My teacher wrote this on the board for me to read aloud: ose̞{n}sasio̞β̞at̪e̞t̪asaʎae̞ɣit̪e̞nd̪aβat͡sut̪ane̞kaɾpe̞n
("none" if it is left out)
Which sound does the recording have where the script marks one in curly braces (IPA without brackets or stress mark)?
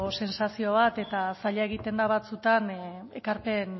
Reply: n